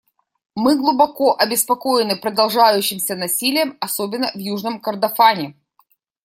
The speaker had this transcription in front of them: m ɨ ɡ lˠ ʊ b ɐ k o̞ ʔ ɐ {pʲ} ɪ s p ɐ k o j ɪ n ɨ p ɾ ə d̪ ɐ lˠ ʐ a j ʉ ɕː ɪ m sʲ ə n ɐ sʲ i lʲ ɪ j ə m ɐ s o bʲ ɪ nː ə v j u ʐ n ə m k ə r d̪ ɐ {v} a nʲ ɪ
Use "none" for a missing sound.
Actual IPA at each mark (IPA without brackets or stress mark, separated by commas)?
bʲ, f